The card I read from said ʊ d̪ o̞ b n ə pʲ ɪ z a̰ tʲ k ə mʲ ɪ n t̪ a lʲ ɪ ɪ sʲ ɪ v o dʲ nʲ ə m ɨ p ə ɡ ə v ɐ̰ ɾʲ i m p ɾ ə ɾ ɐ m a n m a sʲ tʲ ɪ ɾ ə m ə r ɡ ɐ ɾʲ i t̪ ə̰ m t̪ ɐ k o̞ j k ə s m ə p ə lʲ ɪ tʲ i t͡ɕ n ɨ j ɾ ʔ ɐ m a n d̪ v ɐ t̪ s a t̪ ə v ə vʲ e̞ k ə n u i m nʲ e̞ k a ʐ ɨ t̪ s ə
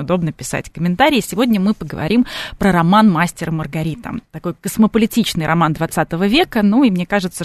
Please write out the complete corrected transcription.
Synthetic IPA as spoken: ʊ d̪ o̞ b n ə pʲ ɪ s a̰ tʲ k ə mʲ ɪ n t̪ a ɾʲ ɪ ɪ sʲ ɪ v o dʲ nʲ ə m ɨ p ə ɡ ə v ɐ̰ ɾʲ i m p ɾ ə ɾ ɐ m a n m a sʲ tʲ ɪ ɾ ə m ə r ɡ ɐ ɾʲ i t̪ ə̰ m t̪ ɐ k o̞ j k ə s m ə p ə lʲ ɪ tʲ i t͡ɕ n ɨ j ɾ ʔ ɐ m a n d̪ v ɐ t̪ s a t̪ ə v ə vʲ e̞ k ə n u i m nʲ e̞ k a ʐ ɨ t̪ s ə